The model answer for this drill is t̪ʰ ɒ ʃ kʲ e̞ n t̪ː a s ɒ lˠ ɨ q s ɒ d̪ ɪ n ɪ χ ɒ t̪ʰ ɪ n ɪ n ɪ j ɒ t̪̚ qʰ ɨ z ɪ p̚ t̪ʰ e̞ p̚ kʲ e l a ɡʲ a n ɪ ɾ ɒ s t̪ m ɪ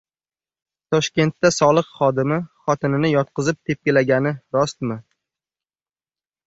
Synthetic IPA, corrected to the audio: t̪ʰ ɒ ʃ kʲ e̞ n t̪ː a s ɒ lˠ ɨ q χ ɒ d̪ ɪ m ɪ χ ɒ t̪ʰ ɪ n ɪ n ɪ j ɒ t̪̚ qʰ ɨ z ɪ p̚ t̪ʰ e̞ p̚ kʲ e l a ɡʲ a n ɪ ɾ ɒ s t̪ m ɪ